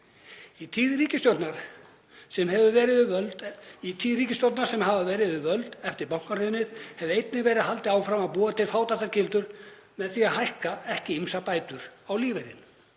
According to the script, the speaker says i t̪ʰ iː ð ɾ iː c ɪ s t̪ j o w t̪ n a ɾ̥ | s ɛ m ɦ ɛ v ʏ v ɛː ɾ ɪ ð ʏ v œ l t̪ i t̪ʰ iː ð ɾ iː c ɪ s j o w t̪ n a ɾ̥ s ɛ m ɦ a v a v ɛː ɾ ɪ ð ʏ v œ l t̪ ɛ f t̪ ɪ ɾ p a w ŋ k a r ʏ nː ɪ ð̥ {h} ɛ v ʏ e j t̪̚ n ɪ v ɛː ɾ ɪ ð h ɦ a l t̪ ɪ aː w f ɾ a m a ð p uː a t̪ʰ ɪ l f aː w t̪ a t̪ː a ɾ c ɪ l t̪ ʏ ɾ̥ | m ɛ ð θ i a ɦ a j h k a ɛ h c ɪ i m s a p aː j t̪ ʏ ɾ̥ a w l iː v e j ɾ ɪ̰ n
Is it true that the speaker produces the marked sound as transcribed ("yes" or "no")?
yes